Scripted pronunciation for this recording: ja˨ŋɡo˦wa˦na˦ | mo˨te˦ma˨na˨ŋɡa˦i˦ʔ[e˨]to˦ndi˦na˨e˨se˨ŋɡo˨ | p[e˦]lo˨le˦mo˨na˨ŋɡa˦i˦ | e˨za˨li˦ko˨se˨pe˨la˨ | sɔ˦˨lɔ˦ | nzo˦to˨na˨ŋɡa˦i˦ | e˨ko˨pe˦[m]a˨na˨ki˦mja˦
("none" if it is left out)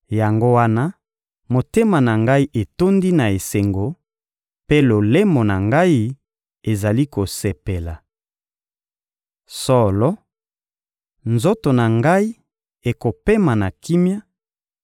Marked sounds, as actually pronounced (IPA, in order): e˨, e˦, m

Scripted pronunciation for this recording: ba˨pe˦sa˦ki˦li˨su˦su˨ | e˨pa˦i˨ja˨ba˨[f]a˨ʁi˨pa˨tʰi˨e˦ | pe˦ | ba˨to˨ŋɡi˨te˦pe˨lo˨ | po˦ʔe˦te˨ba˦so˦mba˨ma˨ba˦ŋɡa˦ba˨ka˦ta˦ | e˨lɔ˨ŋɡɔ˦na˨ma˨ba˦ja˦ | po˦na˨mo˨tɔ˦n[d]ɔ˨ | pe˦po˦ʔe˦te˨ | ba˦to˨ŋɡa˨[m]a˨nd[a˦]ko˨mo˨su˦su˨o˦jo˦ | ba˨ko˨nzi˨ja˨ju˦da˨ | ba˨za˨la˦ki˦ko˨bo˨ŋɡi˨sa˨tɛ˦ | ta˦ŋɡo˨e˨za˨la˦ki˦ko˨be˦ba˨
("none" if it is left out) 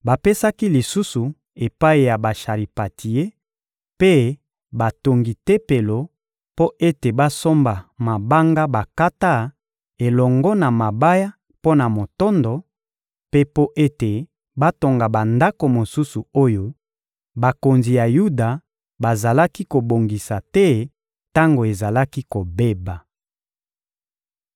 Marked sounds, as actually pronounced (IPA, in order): ʃ, d, b, a˦

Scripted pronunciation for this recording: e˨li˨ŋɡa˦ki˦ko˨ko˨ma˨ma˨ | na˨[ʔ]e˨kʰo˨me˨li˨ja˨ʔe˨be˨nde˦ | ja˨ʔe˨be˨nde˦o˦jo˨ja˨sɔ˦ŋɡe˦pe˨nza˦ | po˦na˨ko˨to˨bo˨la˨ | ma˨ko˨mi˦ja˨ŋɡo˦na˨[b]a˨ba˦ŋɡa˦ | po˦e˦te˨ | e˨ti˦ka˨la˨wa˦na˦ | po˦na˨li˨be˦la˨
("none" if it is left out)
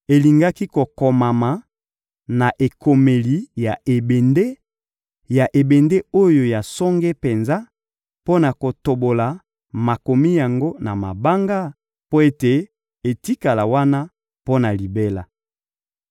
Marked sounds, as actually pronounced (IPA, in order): ʔ, m

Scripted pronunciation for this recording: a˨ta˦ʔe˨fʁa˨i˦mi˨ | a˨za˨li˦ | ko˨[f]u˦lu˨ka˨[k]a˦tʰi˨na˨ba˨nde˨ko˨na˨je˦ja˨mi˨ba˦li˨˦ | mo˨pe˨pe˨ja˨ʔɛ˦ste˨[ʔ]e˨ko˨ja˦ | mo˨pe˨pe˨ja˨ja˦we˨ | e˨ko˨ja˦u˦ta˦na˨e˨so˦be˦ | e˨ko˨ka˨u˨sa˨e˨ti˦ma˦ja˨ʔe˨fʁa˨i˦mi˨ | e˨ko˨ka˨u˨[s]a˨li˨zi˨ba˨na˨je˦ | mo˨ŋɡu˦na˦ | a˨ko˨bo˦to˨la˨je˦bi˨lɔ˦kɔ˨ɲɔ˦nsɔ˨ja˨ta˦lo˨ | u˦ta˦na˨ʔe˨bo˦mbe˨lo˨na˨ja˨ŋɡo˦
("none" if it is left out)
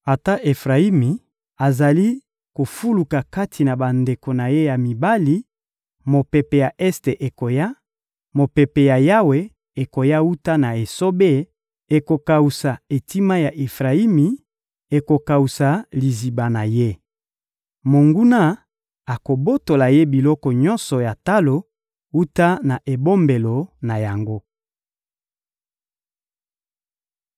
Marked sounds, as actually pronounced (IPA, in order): f, k, ʔ, s

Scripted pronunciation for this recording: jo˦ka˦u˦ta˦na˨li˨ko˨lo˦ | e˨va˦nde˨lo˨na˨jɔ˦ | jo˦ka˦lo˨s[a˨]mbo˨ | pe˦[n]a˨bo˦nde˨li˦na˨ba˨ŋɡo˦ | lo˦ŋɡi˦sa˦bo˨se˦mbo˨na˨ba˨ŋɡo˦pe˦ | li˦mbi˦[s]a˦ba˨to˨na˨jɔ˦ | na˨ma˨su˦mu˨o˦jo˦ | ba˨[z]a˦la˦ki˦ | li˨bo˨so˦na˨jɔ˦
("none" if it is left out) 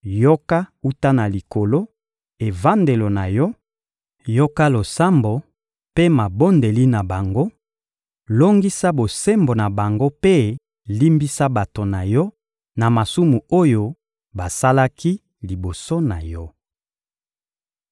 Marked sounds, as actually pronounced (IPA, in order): a˦, m, s, s

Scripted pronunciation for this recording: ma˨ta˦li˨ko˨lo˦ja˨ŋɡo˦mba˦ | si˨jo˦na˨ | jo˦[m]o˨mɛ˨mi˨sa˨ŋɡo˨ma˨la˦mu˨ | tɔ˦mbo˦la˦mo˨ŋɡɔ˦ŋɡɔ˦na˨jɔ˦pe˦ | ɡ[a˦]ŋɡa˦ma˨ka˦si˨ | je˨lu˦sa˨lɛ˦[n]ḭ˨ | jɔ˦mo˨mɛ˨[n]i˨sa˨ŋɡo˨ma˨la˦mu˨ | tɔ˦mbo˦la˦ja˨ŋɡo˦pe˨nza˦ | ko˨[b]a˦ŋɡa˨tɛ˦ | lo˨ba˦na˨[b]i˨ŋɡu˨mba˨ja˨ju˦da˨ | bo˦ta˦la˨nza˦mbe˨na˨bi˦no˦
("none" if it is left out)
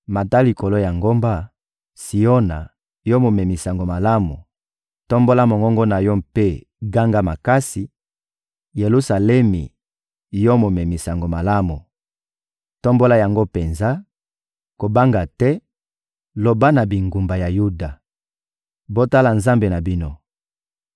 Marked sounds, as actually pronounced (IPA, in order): m, a˦, m, m, b, b

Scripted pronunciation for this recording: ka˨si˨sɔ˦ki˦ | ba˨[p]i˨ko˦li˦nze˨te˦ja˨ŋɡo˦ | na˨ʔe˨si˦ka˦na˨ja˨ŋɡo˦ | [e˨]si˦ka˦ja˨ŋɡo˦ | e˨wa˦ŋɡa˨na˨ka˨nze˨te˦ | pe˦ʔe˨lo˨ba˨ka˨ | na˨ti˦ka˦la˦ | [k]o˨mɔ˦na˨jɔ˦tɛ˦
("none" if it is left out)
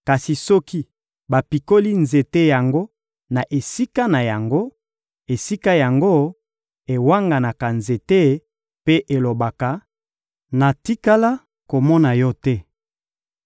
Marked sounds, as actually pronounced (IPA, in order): p, e˨, k

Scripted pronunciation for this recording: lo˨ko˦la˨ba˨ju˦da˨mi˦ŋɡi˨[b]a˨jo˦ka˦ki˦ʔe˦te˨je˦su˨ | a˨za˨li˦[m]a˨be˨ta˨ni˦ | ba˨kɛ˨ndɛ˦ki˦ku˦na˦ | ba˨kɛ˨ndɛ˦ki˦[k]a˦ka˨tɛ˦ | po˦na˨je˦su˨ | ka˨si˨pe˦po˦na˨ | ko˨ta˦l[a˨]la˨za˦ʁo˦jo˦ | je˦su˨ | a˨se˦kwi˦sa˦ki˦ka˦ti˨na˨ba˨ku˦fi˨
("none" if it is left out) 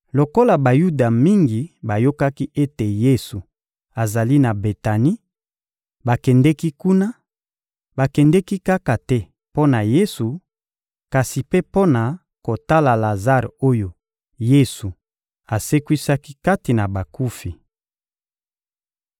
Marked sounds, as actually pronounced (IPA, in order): b, n, k, a˨

